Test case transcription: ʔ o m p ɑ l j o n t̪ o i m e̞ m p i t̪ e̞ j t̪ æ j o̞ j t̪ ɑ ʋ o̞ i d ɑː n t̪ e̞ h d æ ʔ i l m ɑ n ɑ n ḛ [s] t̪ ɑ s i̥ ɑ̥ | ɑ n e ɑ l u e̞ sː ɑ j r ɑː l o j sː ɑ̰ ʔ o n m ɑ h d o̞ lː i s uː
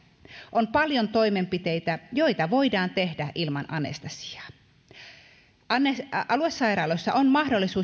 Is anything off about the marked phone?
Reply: no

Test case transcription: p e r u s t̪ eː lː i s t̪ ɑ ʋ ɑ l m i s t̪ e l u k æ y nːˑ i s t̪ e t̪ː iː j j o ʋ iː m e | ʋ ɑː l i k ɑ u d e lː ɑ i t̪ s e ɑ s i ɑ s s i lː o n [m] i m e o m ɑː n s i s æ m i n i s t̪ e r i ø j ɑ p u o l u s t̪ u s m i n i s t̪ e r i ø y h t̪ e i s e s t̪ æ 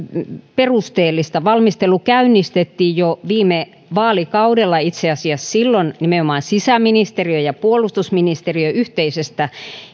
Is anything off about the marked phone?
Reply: yes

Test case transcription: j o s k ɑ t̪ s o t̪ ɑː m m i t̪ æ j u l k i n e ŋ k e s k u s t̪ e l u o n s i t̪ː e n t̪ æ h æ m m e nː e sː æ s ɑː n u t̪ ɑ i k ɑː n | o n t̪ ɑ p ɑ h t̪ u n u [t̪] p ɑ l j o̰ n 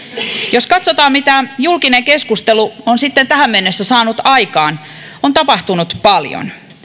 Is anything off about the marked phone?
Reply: no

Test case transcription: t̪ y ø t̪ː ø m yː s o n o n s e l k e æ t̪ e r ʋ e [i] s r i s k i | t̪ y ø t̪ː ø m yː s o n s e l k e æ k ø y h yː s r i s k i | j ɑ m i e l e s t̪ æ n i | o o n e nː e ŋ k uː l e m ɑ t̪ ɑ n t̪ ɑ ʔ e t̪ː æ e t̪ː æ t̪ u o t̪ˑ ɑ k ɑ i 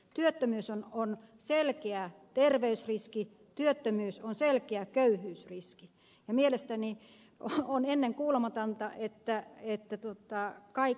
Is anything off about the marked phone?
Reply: yes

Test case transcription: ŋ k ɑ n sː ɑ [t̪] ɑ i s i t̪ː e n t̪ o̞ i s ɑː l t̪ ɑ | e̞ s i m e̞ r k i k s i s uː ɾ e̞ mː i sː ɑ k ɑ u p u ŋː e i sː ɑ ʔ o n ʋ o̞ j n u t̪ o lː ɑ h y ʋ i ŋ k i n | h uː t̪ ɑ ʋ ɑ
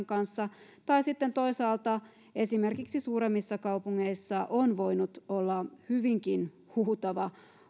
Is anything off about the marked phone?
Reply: no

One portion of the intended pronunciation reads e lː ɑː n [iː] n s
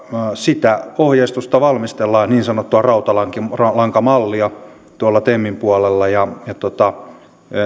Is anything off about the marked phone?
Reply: no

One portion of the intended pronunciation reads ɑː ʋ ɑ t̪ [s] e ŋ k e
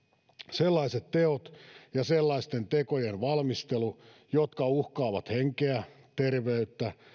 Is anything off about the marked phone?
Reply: yes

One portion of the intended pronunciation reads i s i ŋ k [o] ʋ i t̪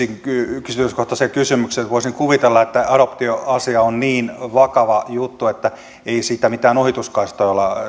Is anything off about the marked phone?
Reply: yes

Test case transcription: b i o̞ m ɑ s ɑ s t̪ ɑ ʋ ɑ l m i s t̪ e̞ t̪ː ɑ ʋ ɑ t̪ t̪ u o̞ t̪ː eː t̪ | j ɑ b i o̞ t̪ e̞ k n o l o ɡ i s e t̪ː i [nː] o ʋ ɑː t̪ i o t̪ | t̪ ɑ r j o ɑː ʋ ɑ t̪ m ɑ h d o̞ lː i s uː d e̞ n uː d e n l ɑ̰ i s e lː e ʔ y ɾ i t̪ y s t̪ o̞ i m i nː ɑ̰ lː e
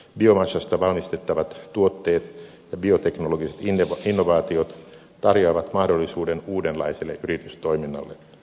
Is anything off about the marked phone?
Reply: no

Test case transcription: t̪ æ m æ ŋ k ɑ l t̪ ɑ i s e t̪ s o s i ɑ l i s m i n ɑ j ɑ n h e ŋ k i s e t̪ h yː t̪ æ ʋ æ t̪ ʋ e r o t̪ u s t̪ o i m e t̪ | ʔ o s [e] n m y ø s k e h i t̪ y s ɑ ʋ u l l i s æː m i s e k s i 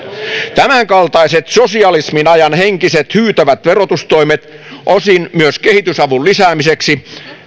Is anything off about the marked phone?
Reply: yes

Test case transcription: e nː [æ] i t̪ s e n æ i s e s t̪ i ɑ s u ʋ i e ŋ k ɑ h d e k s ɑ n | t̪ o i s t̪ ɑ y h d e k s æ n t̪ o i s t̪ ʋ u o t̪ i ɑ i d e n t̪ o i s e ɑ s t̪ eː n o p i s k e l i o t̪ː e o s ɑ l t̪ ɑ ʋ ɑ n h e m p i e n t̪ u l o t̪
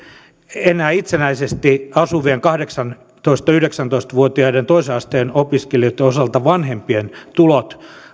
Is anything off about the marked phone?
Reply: yes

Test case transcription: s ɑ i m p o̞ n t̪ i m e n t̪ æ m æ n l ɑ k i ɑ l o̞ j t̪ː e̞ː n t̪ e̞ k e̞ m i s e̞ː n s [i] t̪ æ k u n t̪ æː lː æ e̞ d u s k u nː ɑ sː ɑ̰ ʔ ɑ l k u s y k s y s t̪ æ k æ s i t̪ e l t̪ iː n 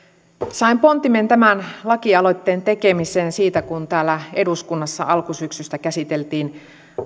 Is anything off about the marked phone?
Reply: yes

